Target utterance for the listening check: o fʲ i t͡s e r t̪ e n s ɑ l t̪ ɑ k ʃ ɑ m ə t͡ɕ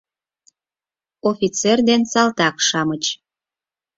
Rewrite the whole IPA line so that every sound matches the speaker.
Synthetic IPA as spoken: o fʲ i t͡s e r d̪ e n s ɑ l t̪ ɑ k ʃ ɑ m ə t͡ɕ